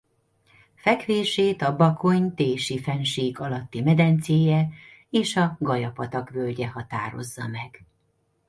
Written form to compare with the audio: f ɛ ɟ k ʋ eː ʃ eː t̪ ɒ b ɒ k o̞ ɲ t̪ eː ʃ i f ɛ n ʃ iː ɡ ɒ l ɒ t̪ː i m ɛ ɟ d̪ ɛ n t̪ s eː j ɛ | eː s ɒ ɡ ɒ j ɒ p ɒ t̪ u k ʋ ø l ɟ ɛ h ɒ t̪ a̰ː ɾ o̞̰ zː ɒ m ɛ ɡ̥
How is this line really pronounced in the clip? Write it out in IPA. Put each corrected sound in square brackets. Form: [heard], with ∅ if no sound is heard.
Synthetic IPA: f ɛ [∅] k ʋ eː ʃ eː t̪ ɒ b ɒ k o̞ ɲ t̪ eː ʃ i f ɛ n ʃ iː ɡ ɒ l ɒ t̪ː i m ɛ [∅] d̪ ɛ n t̪ s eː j ɛ | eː [ʃ] ɒ ɡ ɒ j ɒ p ɒ t̪ [ɒ] k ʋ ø l ɟ ɛ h ɒ t̪ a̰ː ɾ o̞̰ zː ɒ m ɛ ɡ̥